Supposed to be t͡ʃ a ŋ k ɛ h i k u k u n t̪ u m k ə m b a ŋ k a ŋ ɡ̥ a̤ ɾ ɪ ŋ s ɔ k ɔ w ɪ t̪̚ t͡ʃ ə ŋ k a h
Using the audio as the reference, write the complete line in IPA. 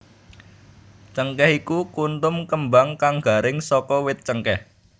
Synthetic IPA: t͡ʃ ə ŋ k ɛ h i k u k u n t̪ ʊ m k ə m b a ŋ k a ŋ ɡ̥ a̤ ɾ ɪ ŋ s ɔ k ɔ w ɪ t̪̚ t͡ʃ ə ŋ k ɛ h